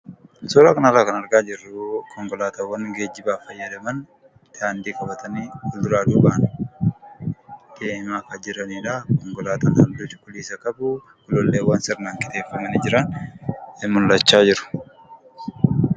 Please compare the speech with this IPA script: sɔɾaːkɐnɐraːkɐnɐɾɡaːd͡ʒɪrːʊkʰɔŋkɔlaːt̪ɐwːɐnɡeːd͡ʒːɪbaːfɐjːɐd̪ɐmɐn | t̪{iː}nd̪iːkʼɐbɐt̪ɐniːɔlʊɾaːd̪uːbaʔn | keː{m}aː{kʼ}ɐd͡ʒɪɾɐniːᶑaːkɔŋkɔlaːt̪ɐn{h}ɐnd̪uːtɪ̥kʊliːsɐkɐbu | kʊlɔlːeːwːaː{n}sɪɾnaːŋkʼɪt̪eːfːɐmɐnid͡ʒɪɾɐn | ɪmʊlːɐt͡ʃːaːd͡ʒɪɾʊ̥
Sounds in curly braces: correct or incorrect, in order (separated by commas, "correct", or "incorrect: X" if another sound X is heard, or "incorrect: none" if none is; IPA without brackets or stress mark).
incorrect: aː, correct, incorrect: k, correct, correct